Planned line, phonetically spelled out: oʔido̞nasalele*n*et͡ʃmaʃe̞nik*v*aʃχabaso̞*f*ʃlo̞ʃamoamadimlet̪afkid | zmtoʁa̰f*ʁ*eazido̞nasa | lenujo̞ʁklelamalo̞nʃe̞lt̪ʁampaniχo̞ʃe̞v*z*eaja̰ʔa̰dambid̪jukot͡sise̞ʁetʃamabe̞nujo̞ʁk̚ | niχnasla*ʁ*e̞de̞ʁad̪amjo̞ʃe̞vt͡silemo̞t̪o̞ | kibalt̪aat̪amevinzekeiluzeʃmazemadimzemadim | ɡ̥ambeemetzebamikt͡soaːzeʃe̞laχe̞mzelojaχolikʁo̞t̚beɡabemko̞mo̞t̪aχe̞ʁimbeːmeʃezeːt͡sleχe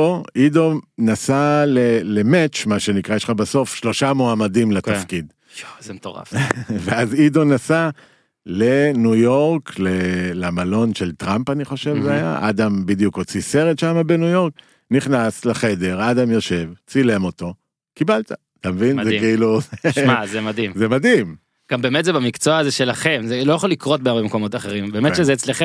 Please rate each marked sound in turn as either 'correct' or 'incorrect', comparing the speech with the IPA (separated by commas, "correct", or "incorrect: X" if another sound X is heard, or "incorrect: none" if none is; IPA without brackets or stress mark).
incorrect: m, incorrect: ʁ, correct, incorrect: v, correct, incorrect: χ